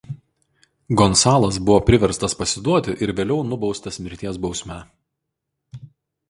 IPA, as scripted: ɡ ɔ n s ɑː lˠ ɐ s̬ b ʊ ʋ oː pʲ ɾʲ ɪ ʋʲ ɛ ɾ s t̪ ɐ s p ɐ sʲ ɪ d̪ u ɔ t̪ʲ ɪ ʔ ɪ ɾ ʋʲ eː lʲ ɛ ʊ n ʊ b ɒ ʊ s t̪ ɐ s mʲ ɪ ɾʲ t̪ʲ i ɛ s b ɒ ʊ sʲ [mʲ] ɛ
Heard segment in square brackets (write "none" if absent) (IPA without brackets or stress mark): mʲ